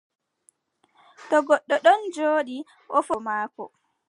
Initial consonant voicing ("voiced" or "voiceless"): voiceless